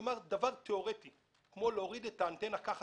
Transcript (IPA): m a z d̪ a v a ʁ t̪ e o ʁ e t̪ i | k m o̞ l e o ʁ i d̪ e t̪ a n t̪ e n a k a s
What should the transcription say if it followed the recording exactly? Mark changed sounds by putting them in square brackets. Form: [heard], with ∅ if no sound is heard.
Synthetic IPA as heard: m a [ʁ] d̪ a v a ʁ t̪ e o ʁ e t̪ i | k m o̞ l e o ʁ i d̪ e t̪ a n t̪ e n a k a [χ]